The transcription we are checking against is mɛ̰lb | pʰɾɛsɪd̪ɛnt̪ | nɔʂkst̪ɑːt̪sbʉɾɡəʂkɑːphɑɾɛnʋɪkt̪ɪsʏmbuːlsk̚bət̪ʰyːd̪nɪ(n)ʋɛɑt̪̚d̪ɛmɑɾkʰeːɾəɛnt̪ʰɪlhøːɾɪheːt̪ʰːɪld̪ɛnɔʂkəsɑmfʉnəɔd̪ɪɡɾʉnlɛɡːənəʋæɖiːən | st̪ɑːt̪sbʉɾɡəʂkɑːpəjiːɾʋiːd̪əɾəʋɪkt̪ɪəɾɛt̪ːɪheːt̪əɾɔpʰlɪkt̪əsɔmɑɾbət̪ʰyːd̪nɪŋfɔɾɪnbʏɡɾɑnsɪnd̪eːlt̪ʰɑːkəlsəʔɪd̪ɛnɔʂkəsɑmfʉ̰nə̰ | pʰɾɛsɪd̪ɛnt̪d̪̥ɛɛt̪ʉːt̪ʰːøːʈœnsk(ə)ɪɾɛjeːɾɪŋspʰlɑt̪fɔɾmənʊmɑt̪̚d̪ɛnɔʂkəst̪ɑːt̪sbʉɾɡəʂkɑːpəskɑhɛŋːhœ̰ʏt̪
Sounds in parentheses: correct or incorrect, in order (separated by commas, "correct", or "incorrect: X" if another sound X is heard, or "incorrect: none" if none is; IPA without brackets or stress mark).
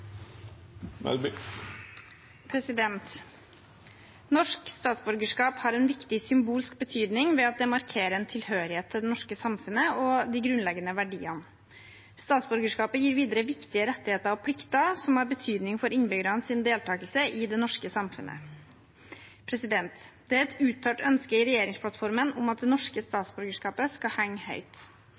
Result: incorrect: ŋ, correct